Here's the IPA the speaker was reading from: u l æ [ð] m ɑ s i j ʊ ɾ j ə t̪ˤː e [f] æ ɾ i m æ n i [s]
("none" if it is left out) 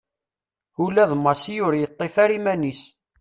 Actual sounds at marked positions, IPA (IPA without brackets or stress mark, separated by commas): ð, f, s